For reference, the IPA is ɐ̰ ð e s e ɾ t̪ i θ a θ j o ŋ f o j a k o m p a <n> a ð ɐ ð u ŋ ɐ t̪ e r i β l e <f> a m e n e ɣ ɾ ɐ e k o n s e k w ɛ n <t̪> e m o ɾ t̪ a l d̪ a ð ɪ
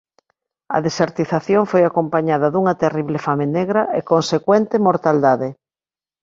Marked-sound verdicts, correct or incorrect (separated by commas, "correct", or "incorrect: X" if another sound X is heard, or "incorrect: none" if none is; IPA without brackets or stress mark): incorrect: ɲ, correct, correct